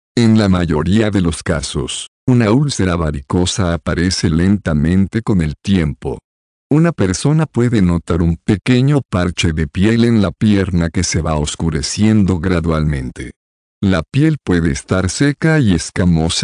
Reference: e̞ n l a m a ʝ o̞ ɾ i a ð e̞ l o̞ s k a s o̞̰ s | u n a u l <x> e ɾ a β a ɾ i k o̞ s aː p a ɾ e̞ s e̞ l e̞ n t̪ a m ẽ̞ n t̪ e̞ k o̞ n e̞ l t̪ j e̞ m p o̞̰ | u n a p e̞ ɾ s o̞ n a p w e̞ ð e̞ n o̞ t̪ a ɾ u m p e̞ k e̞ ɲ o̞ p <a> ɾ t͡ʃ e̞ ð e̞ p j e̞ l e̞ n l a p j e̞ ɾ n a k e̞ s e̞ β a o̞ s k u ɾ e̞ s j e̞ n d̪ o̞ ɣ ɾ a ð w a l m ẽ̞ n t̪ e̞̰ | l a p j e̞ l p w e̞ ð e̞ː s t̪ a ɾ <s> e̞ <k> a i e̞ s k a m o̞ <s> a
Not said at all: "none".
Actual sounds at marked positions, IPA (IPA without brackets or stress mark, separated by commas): s, a, s, k, s